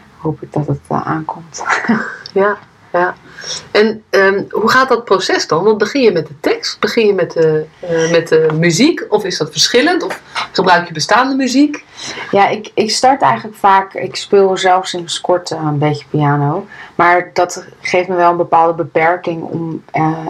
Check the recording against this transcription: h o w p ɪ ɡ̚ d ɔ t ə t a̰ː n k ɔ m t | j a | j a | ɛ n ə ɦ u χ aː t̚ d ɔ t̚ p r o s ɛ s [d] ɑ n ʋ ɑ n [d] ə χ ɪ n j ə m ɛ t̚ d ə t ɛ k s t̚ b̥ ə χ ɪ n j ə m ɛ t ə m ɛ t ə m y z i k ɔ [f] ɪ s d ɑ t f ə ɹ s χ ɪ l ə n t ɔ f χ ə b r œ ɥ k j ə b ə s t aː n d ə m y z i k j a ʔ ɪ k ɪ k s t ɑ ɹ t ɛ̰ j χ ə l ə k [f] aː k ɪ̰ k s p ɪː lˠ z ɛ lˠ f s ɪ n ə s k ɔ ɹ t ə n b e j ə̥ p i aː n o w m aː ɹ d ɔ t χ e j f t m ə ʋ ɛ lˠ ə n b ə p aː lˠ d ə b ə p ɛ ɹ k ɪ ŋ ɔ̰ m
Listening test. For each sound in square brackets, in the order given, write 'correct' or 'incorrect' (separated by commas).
correct, incorrect, correct, correct